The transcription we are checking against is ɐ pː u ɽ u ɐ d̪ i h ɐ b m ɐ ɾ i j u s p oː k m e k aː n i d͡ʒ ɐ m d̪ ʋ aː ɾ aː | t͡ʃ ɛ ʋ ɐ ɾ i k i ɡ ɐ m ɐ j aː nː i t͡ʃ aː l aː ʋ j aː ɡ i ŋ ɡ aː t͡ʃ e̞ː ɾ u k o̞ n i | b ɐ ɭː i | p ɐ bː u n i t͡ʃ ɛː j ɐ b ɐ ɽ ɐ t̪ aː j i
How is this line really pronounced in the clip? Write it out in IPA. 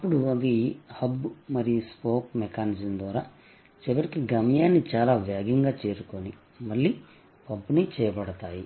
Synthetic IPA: ɐ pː u ɽ u ɐ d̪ i h ɐ b m ɐ ɾ i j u s p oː k m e k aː n i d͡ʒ ɐ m d̪ ʋ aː ɾ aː | t͡ʃ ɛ ʋ ɐ ɾ i k i ɡ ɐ m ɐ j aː nː i t͡ʃ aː l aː ʋ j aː ɡ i ŋ ɡ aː t͡ʃ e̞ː ɾ u k o̞ n i | m ɐ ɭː i | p ɐ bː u n i t͡ʃ ɛː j ɐ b ɐ ɽ ɐ t̪ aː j i